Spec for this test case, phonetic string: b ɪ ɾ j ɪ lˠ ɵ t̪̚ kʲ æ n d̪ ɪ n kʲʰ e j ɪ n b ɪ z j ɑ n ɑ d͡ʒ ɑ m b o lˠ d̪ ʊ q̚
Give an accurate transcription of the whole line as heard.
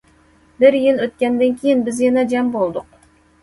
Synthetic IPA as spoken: b ɪ ɾ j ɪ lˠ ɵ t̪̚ kʲ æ n d̪ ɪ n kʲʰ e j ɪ n b ɪ z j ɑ n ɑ d͡ʒ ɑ m b o lˠ d̪ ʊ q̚